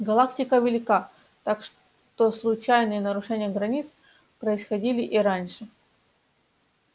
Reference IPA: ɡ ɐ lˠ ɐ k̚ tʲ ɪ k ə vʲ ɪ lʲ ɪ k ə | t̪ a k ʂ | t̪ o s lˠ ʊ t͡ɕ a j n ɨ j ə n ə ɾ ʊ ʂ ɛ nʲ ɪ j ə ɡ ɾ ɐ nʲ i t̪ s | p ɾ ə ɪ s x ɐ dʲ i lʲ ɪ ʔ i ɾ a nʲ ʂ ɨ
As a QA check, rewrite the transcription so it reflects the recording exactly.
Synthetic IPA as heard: ɡ ɐ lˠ a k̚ tʲ ɪ k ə vʲ ɪ lʲ ɪ k a | t̪ a k ʂ | t̪ o s lˠ ʊ t͡ɕ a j n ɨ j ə n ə ɾ ʊ ʂ ɛ nʲ ɪ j ə ɡ ɾ ɐ nʲ i t̪ s | p ɾ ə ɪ s x ɐ dʲ i lʲ ɪ ʔ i ɾ a nʲ ʂ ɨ